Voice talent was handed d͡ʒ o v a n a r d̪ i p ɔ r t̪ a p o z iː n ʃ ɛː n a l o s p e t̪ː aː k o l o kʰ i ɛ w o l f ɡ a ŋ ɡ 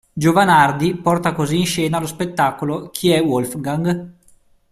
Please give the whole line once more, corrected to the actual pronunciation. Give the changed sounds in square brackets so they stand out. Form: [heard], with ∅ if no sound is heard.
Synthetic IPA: d͡ʒ o v a n a r d̪ i p ɔ r t̪ a [k] o z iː n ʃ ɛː n a l o s p e t̪ː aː k o l o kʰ i ɛ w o l f ɡ a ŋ ɡ